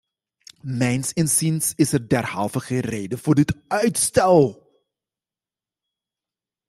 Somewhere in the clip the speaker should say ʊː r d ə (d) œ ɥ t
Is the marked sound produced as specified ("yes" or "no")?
no